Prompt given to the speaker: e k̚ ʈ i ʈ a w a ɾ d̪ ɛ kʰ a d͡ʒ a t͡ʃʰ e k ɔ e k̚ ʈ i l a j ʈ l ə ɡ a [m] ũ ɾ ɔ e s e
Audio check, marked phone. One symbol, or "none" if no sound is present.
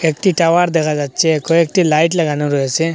n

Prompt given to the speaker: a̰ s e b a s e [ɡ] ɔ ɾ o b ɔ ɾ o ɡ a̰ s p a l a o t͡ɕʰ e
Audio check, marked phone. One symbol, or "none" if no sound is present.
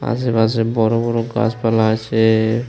b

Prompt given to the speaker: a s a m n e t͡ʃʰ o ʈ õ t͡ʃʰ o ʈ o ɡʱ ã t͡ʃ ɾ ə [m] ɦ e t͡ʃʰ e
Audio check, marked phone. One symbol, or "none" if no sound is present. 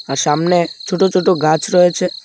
none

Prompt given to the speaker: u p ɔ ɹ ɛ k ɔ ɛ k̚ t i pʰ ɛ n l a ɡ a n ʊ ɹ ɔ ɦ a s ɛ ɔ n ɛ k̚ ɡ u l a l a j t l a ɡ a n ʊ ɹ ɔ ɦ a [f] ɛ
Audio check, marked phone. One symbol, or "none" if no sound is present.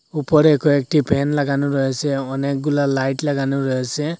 s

